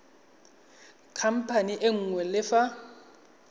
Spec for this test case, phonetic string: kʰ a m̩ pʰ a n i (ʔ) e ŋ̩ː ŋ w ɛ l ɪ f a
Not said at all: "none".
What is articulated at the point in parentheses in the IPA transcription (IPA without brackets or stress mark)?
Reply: ʔ